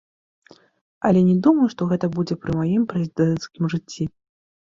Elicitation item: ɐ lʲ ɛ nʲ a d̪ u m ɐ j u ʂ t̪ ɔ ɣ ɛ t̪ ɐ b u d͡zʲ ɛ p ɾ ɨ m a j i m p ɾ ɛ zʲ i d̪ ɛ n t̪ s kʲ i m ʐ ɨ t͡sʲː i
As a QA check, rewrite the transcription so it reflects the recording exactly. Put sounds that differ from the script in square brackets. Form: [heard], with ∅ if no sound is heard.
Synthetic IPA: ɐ lʲ ɛ nʲ [ɛ] d̪ u m ɐ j u ʂ t̪ ɔ ɣ ɛ t̪ ɐ b u d͡zʲ ɛ p ɾ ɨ m a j i m p ɾ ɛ zʲ i d̪ ɛ n t̪ s kʲ i m ʐ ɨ t͡sʲː i